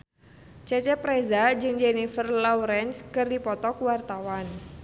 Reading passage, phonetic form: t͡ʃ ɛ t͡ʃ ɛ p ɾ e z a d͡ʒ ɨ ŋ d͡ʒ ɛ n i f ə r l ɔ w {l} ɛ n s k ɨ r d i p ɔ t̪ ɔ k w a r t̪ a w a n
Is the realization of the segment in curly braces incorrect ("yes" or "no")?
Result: yes